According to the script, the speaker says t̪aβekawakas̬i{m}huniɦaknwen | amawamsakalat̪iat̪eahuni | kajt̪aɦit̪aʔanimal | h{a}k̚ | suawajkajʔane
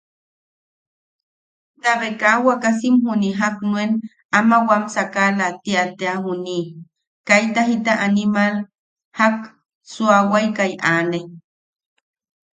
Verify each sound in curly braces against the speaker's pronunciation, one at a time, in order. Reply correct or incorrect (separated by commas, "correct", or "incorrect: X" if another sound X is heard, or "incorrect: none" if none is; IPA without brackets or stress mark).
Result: correct, correct